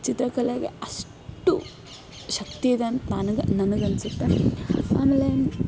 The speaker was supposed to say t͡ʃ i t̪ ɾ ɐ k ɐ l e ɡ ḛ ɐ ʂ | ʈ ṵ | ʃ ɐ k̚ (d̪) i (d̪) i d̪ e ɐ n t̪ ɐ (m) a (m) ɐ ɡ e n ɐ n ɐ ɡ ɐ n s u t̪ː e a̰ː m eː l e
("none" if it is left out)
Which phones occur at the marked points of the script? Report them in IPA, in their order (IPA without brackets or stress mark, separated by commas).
t̪, none, n, n